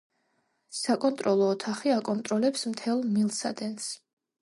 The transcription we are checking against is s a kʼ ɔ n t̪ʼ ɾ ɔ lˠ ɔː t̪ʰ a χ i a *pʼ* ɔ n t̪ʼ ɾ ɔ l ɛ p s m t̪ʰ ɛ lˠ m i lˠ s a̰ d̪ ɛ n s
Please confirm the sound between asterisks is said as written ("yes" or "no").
no